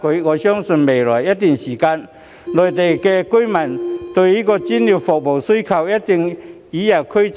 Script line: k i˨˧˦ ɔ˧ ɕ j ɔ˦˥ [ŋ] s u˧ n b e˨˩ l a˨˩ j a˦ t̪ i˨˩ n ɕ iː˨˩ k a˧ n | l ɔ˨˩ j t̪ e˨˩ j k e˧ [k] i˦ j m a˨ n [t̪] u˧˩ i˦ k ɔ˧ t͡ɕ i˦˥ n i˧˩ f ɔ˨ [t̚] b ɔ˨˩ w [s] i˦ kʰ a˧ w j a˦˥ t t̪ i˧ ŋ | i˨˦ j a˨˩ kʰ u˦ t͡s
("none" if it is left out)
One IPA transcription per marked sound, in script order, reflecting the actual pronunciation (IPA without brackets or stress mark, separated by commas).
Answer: ŋ, k, t̪, k̚, s